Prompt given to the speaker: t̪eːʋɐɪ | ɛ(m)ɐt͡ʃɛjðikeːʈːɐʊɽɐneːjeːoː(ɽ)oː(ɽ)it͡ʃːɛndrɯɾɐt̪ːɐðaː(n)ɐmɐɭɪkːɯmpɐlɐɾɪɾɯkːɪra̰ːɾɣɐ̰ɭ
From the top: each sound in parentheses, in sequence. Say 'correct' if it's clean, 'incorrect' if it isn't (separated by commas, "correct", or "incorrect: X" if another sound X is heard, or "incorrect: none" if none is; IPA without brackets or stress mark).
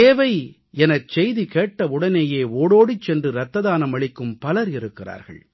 incorrect: n, correct, correct, correct